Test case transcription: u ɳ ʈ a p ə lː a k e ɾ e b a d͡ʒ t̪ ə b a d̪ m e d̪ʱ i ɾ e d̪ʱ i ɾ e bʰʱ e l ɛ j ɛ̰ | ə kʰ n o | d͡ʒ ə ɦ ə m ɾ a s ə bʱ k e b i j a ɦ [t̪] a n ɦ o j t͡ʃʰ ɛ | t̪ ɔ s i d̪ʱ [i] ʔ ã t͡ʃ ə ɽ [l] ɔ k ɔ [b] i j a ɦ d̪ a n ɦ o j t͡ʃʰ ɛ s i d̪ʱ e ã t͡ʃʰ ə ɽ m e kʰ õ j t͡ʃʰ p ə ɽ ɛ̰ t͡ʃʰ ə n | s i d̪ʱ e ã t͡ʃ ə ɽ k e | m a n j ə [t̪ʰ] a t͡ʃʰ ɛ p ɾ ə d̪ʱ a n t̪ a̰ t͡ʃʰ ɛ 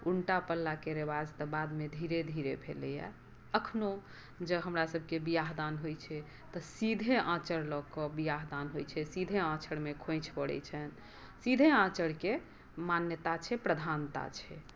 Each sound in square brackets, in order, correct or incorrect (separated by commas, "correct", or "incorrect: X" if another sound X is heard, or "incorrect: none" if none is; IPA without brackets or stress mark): incorrect: d̪, incorrect: e, correct, correct, incorrect: t̪